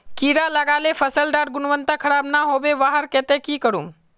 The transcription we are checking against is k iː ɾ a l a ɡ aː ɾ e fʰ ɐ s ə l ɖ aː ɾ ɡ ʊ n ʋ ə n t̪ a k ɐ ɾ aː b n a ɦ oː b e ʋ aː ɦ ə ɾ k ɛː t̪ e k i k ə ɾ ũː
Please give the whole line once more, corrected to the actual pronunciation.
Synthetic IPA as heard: k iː ɾ a l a ɡ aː l e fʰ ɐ s ə l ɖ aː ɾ ɡ ʊ n ʋ ə n t̪ a kʰ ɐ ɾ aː b n a ɦ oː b e ʋ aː ɦ ə ɾ k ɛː t̪ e k i k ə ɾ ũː

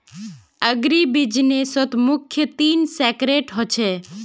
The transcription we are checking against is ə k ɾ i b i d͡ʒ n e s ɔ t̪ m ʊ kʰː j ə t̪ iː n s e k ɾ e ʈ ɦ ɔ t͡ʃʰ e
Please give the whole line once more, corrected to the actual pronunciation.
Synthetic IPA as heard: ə ɡ ɾ i b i d͡ʒ n e s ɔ t̪ m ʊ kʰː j ə t̪ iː n s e k ɾ e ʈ ɦ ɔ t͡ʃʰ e

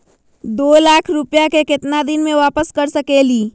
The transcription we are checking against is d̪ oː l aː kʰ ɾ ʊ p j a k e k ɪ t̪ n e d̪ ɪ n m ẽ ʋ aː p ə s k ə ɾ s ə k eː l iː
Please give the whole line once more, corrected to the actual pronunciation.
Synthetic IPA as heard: d̪ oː l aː kʰ ɾ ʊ p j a k e k ɪ t̪ n a d̪ ɪ n m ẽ ʋ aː p ə s k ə ɾ s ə k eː l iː

